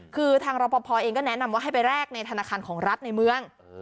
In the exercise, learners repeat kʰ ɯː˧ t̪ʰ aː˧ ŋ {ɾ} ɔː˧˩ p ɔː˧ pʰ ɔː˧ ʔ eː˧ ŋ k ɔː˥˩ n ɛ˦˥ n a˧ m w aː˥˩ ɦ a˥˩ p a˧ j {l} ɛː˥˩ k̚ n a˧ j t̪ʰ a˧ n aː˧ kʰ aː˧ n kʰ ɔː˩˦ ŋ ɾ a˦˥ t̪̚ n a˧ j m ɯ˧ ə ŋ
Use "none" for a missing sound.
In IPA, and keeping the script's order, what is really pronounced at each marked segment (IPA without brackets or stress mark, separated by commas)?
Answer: ɾ, ɾ